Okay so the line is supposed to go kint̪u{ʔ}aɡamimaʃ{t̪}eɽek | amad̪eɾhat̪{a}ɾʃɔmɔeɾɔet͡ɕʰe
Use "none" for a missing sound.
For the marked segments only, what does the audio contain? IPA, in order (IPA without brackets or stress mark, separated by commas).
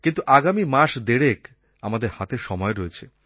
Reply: ʔ, d̪, e